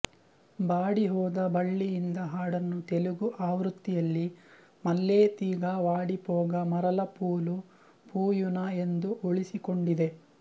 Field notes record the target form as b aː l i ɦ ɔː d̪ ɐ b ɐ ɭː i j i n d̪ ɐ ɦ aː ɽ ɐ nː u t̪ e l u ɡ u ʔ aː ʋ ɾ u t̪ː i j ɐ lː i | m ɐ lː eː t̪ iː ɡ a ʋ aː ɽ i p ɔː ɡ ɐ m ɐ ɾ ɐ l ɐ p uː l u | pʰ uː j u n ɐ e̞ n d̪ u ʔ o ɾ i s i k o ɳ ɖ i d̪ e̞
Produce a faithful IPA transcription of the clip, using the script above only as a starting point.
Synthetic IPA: b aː ɽ i ɦ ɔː d̪ ɐ b ɐ ɭː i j i n d̪ ɐ ɦ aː ɽ ɐ nː u t̪ e l u ɡ u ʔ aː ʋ ɾ u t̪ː i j ɐ lː i | m ɐ lː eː t̪ iː ɡ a ʋ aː ɽ i p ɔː ɡ ɐ m ɐ ɾ ɐ l ɐ p uː l u | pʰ uː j u n ɐ e̞ n d̪ u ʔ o ɭ i s i k o ɳ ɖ i d̪ e̞